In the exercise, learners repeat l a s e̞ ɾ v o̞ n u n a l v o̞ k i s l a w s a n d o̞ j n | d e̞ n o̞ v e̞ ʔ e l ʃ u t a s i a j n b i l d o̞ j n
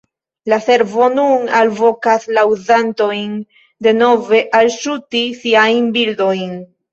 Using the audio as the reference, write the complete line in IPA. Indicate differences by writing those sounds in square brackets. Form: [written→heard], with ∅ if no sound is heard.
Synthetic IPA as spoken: l a s e̞ ɾ v o̞ n u n a l v o̞ k [i→a] s l a w [s→z] a n [d→t] o̞ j n | d e̞ n o̞ v e̞ ʔ [e→a] l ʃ u t [a→i] s i a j n b i l d o̞ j n